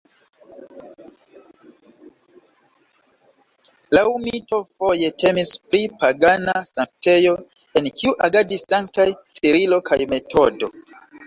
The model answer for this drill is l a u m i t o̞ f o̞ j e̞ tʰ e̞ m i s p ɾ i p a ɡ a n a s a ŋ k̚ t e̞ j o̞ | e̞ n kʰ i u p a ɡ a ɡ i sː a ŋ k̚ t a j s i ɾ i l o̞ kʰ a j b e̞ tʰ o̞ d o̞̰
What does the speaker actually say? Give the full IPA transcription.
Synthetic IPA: l a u m i t o̞ f o̞ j e̞ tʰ e̞ m i s p ɾ i p a ɡ a n a s a ŋ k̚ t e̞ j o̞ | e̞ n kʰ i u ʔ a ɡ a d i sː a ŋ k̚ t a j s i ɾ i l o̞ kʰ a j m e̞ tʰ o̞ d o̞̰